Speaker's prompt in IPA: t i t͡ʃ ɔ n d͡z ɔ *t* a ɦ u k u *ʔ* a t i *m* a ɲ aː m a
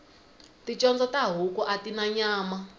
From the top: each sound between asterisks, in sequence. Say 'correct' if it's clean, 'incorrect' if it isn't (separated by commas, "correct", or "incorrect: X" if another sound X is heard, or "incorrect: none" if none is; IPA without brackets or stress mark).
correct, correct, incorrect: n